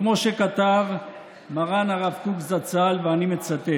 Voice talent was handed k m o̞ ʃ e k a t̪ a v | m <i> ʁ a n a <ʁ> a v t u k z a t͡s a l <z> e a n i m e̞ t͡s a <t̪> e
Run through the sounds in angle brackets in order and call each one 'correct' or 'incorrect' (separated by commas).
incorrect, correct, incorrect, correct